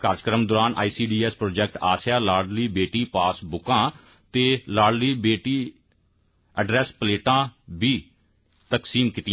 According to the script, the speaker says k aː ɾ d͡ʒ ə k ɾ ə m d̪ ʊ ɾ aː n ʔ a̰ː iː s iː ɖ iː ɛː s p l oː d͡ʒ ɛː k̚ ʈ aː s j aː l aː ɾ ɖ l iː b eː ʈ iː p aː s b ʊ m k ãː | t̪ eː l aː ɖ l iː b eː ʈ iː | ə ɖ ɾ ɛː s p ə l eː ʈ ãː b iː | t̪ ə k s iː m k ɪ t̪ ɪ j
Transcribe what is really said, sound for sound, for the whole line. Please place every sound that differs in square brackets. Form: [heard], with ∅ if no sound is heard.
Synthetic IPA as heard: k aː ɾ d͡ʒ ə k ɾ ə m d̪ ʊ ɾ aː n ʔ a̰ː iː s iː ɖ iː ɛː s p [ɾ] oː d͡ʒ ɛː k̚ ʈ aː s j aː l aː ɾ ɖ l iː b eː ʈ iː p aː s b ʊ [∅] k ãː | t̪ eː l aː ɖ l iː b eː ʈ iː | ə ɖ ɾ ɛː s p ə l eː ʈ ãː b iː | t̪ ə k s iː m k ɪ t̪ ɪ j